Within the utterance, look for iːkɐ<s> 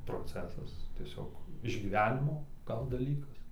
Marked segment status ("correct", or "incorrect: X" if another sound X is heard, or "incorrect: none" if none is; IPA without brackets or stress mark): correct